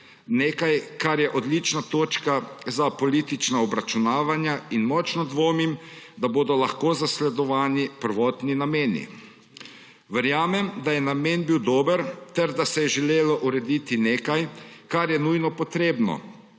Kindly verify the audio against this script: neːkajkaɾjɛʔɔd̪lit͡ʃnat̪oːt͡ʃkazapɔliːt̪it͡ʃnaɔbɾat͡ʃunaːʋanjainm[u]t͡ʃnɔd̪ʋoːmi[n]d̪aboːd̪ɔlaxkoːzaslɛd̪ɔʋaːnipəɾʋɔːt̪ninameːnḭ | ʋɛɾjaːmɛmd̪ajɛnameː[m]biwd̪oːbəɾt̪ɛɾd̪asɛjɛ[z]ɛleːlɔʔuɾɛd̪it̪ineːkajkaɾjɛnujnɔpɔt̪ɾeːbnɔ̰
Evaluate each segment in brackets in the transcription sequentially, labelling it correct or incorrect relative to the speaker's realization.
incorrect, incorrect, incorrect, incorrect

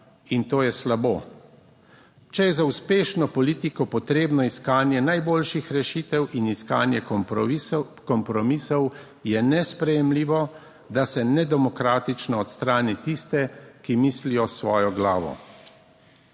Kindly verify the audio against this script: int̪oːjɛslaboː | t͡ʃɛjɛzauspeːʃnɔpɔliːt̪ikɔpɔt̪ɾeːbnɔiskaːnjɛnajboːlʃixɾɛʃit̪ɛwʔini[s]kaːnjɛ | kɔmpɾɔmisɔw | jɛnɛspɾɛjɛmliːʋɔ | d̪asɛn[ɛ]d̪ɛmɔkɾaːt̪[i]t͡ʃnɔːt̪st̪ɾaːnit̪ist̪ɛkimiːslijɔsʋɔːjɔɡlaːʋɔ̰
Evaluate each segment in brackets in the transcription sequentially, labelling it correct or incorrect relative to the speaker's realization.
correct, correct, correct

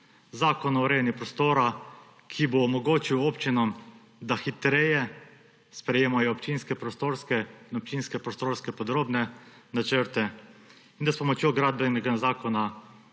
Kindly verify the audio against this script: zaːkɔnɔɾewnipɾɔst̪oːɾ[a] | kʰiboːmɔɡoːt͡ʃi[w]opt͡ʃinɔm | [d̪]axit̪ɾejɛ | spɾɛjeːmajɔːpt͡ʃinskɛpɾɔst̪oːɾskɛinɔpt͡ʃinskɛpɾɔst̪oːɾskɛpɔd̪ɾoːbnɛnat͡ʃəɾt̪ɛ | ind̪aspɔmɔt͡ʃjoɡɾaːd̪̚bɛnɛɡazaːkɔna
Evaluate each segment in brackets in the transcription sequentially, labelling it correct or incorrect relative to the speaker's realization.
correct, correct, correct

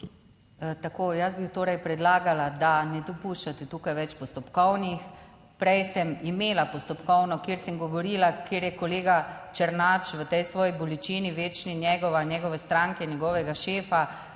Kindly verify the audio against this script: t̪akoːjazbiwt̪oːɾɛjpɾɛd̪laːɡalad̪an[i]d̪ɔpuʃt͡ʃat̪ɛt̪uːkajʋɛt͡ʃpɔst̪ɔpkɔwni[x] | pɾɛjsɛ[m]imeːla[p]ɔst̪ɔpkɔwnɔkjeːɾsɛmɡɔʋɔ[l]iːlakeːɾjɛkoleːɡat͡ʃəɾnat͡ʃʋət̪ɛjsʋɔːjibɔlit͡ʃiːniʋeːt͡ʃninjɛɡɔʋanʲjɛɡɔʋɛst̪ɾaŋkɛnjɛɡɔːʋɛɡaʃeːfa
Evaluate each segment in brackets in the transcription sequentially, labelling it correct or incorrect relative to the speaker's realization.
incorrect, correct, correct, correct, incorrect

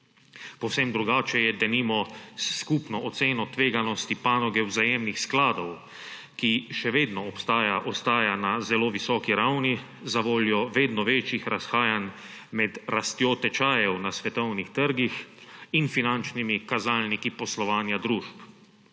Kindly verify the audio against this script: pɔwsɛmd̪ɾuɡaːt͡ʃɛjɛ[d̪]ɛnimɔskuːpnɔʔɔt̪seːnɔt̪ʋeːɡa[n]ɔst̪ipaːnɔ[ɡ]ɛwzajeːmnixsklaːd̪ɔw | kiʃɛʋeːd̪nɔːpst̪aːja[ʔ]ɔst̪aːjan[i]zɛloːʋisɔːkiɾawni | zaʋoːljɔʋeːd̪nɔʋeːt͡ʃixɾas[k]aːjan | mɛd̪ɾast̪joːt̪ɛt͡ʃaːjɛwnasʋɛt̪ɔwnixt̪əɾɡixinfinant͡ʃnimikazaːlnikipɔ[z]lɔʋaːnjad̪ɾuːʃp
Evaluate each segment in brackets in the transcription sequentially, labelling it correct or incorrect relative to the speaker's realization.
correct, correct, correct, correct, incorrect, incorrect, incorrect

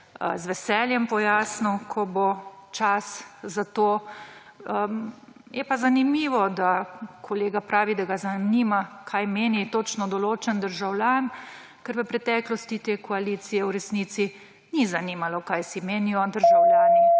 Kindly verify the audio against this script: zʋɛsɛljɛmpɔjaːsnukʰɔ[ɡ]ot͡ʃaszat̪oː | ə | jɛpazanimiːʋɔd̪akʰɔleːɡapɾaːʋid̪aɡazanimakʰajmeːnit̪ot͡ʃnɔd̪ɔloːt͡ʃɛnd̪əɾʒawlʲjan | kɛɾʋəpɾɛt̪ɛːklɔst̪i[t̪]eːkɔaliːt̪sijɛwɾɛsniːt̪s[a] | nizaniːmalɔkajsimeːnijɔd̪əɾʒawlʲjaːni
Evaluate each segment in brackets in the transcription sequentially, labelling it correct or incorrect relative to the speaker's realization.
incorrect, correct, incorrect

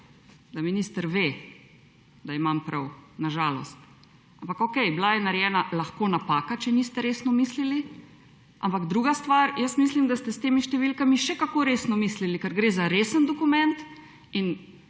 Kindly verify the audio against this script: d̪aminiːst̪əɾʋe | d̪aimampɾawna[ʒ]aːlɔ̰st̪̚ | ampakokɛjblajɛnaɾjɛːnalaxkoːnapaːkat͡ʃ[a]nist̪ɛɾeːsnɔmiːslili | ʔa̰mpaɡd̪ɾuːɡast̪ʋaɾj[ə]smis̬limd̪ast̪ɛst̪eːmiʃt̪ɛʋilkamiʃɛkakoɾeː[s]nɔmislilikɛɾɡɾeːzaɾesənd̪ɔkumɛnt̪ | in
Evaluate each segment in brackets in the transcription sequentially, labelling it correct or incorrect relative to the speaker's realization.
correct, incorrect, correct, correct

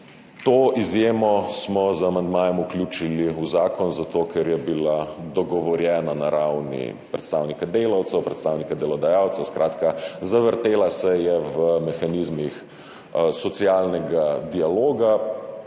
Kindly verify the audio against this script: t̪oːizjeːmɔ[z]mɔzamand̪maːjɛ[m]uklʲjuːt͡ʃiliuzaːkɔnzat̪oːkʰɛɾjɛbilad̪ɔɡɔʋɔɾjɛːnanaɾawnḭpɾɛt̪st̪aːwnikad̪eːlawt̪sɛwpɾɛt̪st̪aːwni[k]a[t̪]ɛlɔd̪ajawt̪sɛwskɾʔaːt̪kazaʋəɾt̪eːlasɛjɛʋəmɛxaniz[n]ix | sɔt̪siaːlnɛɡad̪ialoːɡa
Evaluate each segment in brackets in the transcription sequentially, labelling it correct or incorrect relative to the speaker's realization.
incorrect, correct, correct, incorrect, incorrect

